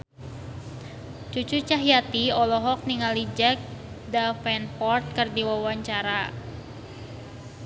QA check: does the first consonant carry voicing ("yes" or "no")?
no